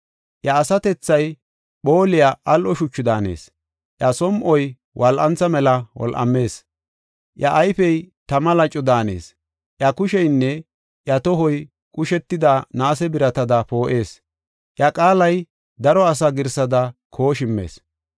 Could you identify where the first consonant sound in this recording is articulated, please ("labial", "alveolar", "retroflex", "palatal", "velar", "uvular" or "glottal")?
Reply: glottal